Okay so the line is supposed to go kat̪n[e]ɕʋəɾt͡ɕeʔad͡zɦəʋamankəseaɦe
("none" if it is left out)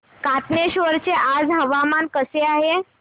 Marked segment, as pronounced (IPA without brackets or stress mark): e